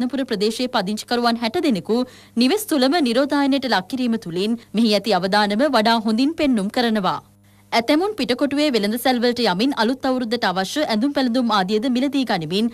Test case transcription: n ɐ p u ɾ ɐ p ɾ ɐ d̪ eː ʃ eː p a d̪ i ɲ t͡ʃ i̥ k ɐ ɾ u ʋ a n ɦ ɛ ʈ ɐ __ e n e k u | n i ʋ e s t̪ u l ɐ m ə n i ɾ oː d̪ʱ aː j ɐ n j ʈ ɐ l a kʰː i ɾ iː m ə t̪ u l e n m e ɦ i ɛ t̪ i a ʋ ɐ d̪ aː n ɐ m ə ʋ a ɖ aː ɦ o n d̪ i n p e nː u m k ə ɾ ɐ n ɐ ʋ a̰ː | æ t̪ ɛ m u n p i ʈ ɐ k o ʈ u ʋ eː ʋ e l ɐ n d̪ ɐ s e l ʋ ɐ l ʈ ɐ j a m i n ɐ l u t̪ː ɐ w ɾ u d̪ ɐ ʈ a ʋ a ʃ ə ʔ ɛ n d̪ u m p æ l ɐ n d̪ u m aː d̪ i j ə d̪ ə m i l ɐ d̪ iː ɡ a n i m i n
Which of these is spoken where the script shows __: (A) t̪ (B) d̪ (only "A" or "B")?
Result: B